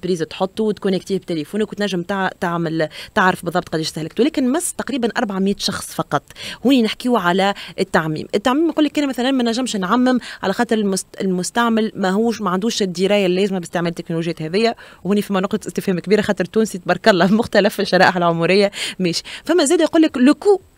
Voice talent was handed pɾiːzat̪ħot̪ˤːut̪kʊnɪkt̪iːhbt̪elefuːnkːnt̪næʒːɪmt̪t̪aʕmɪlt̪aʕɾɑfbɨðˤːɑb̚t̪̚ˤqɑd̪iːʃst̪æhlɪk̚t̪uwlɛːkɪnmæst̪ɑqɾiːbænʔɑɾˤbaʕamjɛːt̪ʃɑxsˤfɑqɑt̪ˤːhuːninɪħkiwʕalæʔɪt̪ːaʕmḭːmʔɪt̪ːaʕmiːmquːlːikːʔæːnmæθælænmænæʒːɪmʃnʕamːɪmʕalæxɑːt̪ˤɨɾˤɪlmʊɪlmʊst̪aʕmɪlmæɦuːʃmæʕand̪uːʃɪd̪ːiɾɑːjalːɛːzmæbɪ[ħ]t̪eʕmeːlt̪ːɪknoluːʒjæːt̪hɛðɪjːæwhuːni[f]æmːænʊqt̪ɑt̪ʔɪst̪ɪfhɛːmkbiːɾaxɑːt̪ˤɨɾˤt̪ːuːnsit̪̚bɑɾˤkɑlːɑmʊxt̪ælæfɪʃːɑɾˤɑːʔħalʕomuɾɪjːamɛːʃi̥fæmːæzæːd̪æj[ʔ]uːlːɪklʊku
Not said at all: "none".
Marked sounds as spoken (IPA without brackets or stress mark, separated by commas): s, f, q